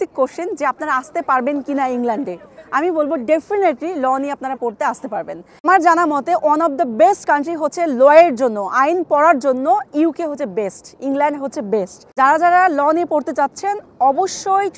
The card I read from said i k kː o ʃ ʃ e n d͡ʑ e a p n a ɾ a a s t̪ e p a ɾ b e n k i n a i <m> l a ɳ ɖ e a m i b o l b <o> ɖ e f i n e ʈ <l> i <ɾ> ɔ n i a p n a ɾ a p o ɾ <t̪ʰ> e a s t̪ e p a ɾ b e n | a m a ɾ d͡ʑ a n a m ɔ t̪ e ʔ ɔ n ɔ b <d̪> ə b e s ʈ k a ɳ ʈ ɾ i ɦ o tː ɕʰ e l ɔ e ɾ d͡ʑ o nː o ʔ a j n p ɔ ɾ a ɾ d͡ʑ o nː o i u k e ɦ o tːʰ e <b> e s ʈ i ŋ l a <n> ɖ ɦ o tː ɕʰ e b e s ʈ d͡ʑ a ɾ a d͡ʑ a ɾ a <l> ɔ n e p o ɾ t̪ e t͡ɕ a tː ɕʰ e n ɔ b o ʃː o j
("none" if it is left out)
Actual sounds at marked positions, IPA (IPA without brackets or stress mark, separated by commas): ŋ, o, l, l, t̪, d̪, b, ɳ, l